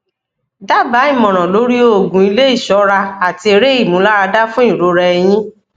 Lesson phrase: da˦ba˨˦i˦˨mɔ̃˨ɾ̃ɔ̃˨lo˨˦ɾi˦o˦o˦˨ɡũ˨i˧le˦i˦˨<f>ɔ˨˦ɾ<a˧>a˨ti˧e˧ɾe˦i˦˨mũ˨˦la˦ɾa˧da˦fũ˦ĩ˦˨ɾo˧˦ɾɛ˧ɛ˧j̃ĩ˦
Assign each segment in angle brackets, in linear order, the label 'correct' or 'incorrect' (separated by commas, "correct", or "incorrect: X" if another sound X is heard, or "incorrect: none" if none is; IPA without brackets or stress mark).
incorrect: ʃ, correct